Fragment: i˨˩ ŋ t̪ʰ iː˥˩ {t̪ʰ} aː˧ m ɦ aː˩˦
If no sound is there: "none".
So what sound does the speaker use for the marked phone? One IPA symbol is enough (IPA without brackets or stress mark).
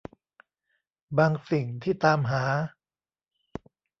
t̪